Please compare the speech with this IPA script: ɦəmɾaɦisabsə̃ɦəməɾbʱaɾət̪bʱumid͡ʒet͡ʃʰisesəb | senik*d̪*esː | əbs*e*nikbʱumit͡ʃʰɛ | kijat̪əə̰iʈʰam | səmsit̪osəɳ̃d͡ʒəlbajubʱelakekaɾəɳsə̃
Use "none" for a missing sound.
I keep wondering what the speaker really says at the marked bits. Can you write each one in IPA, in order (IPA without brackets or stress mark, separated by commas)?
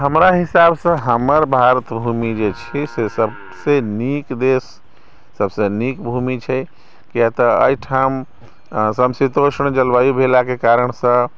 d̪, e